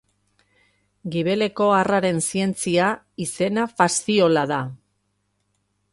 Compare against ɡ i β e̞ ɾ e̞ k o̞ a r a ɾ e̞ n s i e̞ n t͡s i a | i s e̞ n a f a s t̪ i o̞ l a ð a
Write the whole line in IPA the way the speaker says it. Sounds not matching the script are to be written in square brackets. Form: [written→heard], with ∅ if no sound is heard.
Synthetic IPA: ɡ i β e̞ [ɾ→l] e̞ k o̞ a r a ɾ e̞ n s i e̞ n t͡s i a | i s e̞ n a f a s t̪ i o̞ l a ð a